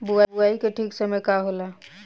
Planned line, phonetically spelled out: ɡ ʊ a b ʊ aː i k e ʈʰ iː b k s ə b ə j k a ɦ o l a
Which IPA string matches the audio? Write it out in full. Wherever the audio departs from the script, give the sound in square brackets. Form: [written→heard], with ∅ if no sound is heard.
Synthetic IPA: [ɡ→b] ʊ a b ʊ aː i k e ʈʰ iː [b→∅] k s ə [b→m] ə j k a ɦ o l a